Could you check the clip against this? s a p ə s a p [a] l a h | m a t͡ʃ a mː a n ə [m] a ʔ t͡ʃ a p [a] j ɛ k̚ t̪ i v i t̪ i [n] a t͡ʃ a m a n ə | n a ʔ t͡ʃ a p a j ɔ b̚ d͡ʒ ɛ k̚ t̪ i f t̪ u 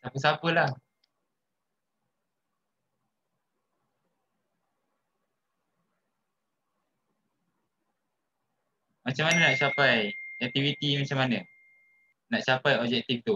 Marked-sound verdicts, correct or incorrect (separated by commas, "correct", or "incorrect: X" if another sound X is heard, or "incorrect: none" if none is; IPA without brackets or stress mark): incorrect: ə, incorrect: n, correct, incorrect: m